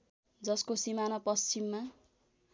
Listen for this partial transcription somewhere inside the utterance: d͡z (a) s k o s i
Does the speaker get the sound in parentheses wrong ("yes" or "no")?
yes